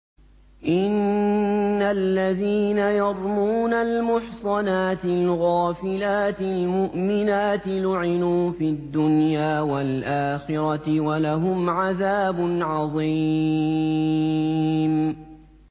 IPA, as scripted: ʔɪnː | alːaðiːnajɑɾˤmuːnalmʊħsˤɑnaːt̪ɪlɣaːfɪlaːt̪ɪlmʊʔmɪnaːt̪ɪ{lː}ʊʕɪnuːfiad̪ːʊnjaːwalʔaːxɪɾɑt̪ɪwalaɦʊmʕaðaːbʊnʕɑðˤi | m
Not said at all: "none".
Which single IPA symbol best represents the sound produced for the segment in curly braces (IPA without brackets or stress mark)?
l